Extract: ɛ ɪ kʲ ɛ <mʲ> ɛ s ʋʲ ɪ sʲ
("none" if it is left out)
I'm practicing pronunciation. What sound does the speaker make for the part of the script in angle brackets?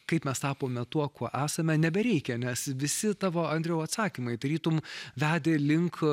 nʲ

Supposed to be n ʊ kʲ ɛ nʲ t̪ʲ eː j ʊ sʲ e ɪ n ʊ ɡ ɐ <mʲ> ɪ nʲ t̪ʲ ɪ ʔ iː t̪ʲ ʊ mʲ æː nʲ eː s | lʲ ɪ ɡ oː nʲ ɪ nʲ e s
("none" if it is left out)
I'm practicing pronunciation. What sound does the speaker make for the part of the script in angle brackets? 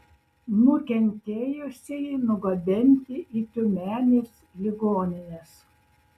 bʲ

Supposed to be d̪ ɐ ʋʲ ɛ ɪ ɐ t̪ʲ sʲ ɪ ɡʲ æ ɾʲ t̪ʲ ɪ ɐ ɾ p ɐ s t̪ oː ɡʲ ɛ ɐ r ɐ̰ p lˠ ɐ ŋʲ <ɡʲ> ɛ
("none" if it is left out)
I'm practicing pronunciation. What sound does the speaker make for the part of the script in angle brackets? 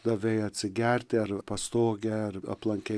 kʲ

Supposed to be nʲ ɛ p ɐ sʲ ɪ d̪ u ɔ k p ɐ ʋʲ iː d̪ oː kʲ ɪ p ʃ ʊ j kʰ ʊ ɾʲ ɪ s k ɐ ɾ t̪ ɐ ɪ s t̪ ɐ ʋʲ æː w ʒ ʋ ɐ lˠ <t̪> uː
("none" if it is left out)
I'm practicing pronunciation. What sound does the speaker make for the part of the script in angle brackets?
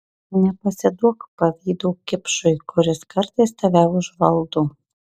d̪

